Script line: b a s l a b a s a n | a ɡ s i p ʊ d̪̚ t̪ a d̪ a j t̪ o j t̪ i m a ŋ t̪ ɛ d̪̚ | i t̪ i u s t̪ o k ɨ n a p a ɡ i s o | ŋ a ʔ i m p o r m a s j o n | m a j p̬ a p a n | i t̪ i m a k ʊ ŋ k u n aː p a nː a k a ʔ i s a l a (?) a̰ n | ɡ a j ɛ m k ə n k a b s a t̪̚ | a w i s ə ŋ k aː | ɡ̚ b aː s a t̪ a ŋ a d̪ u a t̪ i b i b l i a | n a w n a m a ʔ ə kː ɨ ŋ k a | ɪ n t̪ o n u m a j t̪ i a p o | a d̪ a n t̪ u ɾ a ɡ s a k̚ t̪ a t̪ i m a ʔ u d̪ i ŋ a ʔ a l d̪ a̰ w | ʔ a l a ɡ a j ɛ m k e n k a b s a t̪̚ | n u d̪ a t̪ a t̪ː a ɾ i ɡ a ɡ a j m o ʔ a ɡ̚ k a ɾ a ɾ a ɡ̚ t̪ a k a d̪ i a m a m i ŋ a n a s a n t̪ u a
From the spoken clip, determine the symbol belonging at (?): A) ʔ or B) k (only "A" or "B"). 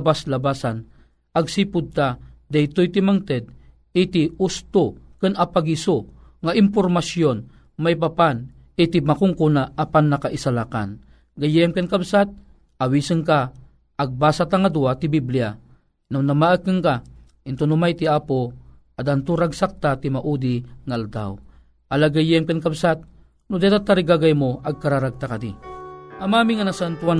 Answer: B